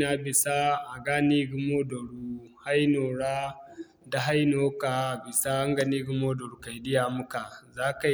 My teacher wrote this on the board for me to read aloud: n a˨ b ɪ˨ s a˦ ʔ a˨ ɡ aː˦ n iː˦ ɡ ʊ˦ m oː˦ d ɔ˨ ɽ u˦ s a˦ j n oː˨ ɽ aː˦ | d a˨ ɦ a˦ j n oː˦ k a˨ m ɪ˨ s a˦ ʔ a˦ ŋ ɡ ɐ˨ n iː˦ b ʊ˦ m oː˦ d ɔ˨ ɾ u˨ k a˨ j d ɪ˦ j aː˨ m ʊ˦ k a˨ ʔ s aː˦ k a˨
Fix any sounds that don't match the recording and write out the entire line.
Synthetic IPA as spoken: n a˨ b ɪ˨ s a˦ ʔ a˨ ɡ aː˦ n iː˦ ɡ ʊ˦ m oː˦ d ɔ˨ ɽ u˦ h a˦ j n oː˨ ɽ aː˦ | d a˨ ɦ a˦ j n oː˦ k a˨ b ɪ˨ s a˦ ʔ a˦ ŋ ɡ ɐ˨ n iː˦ ɡ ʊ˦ m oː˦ d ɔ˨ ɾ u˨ k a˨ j d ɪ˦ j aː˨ m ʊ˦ k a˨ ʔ z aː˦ k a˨